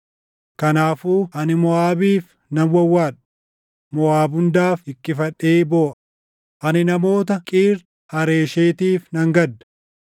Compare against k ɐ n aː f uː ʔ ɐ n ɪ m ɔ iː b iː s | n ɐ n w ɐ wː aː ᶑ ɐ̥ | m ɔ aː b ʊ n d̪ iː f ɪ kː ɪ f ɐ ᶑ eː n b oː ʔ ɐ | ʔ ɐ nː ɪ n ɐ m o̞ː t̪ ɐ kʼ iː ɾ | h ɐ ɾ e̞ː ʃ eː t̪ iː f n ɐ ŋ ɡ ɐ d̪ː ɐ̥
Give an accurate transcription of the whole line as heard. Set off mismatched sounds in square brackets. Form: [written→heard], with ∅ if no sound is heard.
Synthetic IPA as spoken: k ɐ n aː f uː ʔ ɐ n ɪ m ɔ [iː→aː] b iː [s→f] | n ɐ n w ɐ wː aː ᶑ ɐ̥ | m ɔ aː b ʊ n d̪ [iː→aː] f ɪ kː ɪ f ɐ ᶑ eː [n→∅] b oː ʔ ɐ | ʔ ɐ [nː→n] ɪ n ɐ m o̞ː t̪ ɐ kʼ iː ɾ | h ɐ ɾ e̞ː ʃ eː t̪ iː f n ɐ ŋ ɡ ɐ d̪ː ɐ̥

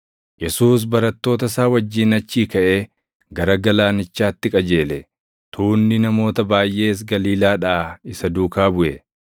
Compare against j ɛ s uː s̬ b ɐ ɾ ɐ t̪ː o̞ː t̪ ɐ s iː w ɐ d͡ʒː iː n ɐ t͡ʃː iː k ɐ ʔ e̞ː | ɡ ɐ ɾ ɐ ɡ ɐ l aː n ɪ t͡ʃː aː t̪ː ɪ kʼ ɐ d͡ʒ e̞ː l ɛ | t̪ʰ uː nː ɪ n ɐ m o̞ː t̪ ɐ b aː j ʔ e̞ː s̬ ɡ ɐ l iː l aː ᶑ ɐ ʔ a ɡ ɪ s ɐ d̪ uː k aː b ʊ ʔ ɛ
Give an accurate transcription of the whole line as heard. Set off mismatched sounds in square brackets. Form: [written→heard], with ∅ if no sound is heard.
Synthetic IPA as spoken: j ɛ s uː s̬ b ɐ ɾ ɐ t̪ː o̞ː t̪ ɐ s [iː→aː] w ɐ d͡ʒː iː n ɐ t͡ʃː iː k ɐ ʔ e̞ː | ɡ ɐ ɾ ɐ ɡ ɐ l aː n ɪ t͡ʃː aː t̪ː ɪ kʼ ɐ d͡ʒ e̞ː l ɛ | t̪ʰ uː nː ɪ n ɐ m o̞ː t̪ ɐ b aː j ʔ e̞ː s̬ ɡ ɐ l iː l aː ᶑ ɐ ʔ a [ɡ→∅] ɪ s ɐ d̪ uː k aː b ʊ ʔ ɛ

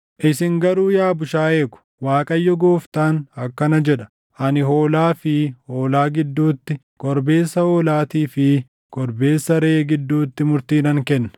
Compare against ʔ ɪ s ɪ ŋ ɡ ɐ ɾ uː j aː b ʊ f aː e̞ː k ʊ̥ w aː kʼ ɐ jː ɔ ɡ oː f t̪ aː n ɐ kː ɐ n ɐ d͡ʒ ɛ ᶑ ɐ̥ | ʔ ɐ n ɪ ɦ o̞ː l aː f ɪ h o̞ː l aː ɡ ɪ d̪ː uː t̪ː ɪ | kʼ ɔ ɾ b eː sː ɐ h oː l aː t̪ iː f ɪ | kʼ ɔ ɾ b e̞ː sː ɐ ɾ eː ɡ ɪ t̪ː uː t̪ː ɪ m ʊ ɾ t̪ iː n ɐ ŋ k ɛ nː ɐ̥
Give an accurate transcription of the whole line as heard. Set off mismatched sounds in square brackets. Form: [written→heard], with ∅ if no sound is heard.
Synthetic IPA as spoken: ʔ ɪ s ɪ ŋ ɡ ɐ ɾ uː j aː b ʊ [f→ʃ] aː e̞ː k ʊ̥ w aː kʼ ɐ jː ɔ ɡ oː f t̪ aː n ɐ kː ɐ n ɐ d͡ʒ ɛ ᶑ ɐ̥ | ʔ ɐ n ɪ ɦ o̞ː l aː f ɪ h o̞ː l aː ɡ ɪ d̪ː uː t̪ː ɪ | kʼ ɔ ɾ b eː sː ɐ h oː l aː t̪ iː f ɪ | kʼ ɔ ɾ b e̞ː sː ɐ ɾ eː ɡ ɪ [t̪ː→d̪ː] uː t̪ː ɪ m ʊ ɾ t̪ iː n ɐ ŋ k ɛ nː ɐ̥

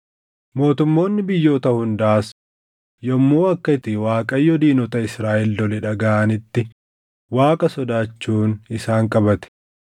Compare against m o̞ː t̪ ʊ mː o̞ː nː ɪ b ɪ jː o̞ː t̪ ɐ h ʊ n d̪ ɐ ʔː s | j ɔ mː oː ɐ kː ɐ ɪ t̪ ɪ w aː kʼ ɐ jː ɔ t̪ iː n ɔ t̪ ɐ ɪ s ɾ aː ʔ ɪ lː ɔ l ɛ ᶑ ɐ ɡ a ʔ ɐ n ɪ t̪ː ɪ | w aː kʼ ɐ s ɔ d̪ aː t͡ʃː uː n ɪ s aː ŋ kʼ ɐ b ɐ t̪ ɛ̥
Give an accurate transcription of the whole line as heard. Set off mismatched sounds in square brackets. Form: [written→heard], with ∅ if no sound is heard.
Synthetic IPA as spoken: m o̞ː t̪ ʊ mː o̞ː nː ɪ b ɪ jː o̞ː t̪ ɐ h ʊ n d̪ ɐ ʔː s | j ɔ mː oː ɐ kː ɐ ɪ t̪ ɪ w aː kʼ ɐ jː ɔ [t̪→d̪] iː n ɔ t̪ ɐ ɪ s ɾ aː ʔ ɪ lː ɔ l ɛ ᶑ ɐ ɡ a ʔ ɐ n ɪ t̪ː ɪ | w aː kʼ ɐ s ɔ d̪ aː t͡ʃː uː n ɪ s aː ŋ kʼ ɐ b ɐ t̪ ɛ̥

